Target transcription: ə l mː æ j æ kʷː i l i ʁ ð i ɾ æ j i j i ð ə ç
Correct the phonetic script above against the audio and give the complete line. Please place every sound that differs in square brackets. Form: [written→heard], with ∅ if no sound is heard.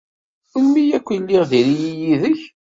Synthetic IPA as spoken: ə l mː [æ→i] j æ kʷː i l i ʁ ð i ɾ [æ→i] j i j i ð ə ç